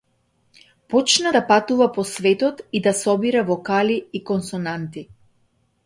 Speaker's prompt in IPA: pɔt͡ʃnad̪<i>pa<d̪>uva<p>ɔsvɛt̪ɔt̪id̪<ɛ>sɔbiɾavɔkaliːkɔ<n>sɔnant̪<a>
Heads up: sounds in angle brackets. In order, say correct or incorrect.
incorrect: a, incorrect: t̪, correct, incorrect: a, correct, incorrect: i

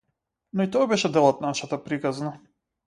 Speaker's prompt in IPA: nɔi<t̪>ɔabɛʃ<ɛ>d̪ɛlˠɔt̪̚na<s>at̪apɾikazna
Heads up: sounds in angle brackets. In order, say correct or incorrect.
correct, correct, incorrect: ʃ

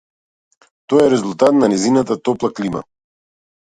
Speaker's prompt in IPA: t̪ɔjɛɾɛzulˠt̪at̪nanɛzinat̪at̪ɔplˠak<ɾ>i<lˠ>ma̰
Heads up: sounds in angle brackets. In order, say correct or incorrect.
incorrect: l, incorrect: none

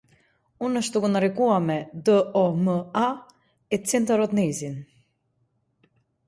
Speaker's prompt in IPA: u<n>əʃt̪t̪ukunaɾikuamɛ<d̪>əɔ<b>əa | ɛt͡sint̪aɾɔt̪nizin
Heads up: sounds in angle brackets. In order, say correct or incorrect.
correct, correct, incorrect: m

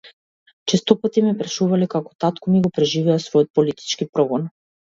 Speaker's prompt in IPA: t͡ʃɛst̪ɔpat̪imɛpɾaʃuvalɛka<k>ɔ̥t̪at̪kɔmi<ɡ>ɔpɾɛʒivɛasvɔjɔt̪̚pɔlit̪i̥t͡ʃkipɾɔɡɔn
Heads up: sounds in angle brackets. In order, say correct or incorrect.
correct, correct

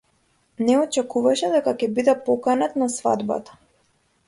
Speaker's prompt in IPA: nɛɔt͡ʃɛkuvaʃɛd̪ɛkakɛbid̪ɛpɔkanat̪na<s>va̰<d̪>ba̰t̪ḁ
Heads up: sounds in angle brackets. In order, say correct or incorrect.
correct, correct

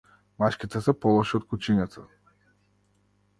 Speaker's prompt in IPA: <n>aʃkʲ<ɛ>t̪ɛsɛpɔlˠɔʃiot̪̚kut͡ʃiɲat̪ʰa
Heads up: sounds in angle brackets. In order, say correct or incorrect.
incorrect: m, incorrect: i

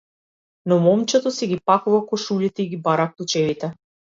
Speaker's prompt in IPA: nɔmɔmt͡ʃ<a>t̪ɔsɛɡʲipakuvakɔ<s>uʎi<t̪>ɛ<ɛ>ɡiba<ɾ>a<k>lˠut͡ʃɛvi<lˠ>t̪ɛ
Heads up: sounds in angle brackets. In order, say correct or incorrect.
incorrect: ɛ, incorrect: ʃ, correct, incorrect: i, correct, correct, incorrect: none

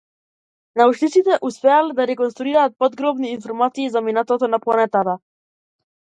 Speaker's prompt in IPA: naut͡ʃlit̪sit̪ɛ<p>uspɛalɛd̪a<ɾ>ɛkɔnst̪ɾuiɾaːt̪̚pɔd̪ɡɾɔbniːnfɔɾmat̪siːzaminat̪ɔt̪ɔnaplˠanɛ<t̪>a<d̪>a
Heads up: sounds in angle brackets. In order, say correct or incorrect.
incorrect: ʔ, correct, correct, incorrect: t̪

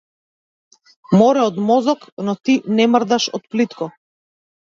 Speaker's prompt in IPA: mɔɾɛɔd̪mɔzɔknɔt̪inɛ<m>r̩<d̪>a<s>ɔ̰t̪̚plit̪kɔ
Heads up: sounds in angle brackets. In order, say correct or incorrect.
correct, correct, incorrect: ʃ

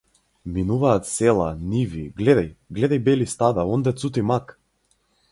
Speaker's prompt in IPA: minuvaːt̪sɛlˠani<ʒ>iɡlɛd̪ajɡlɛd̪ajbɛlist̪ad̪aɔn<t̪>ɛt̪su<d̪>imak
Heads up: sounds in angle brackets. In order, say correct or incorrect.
incorrect: v, incorrect: d̪, incorrect: t̪

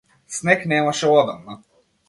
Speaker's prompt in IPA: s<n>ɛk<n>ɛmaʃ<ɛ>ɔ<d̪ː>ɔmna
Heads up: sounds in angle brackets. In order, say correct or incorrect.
correct, correct, correct, incorrect: d̪

